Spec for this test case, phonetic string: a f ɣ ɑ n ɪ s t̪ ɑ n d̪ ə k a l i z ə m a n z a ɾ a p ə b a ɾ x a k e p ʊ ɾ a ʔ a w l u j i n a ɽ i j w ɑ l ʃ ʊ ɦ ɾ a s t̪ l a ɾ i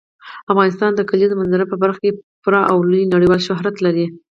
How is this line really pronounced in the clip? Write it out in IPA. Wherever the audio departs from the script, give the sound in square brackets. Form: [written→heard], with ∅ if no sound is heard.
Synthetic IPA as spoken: a f ɣ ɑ n ɪ s t̪ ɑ n d̪ ə k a l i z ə m a n z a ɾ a p ə b a ɾ x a k e p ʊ ɾ [a→ɑ] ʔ a w l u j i n a ɽ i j w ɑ l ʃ ʊ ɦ ɾ a [s→∅] t̪ l a ɾ i

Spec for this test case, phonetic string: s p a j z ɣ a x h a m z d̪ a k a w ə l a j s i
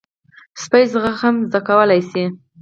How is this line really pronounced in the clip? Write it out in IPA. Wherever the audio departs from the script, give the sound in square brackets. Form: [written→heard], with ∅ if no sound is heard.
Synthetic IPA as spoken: s p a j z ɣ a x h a m z d̪ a k a w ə l a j s i

